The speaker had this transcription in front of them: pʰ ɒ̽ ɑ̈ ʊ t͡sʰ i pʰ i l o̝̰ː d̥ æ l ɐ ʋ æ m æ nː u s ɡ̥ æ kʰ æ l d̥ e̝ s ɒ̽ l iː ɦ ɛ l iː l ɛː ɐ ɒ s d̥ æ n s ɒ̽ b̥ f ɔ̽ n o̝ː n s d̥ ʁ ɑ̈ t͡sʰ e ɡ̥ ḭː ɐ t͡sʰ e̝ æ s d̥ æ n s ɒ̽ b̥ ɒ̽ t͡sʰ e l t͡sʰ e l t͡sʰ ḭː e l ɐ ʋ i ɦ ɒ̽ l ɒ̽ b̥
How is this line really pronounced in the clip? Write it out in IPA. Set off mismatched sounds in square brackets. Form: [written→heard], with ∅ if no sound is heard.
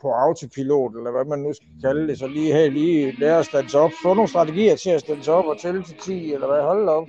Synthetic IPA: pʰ ɒ̽ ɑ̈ ʊ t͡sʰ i pʰ i l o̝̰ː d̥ [æ→e] l ɐ ʋ æ m æ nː u s ɡ̥ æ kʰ æ l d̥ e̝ s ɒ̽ l iː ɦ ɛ l iː l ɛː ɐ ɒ s d̥ æ n s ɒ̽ b̥ f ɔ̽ n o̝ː n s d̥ ʁ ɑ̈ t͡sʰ e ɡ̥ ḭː ɐ t͡sʰ e̝ æ s d̥ æ n s ɒ̽ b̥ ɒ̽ t͡sʰ e l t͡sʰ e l t͡sʰ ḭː e l ɐ ʋ [i→æ] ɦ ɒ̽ l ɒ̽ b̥